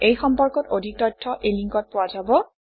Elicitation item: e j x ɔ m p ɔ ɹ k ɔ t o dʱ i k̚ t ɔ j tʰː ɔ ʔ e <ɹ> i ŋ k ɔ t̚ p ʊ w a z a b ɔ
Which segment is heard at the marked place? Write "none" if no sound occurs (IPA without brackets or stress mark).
l